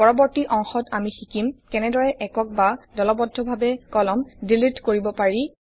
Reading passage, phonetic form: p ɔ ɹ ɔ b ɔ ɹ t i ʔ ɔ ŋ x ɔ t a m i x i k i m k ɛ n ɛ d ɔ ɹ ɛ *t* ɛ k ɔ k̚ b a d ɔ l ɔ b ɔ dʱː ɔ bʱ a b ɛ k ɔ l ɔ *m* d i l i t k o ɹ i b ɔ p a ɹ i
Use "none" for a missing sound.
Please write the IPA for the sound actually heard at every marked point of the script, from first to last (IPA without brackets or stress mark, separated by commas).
ʔ, m